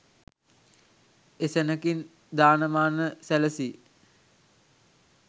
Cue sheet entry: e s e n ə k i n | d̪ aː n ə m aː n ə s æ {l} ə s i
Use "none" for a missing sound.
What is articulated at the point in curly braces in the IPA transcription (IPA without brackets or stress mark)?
l